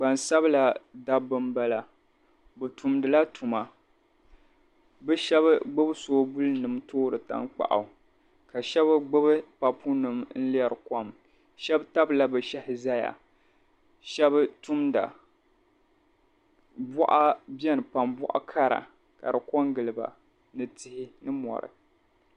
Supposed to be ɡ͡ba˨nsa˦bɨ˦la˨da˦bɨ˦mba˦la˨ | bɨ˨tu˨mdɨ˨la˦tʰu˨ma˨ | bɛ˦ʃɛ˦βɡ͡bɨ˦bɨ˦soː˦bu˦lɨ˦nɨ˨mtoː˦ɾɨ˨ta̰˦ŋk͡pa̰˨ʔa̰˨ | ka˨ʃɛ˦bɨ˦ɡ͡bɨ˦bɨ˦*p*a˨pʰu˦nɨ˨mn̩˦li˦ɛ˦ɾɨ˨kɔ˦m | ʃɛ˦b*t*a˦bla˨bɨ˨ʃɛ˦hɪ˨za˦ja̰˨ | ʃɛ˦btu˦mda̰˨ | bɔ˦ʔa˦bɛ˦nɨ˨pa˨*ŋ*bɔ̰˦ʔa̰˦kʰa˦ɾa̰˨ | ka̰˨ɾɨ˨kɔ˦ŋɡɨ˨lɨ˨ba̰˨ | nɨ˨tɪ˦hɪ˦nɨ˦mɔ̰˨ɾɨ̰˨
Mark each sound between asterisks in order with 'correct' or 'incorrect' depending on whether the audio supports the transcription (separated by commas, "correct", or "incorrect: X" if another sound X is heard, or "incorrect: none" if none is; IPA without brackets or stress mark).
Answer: correct, correct, incorrect: m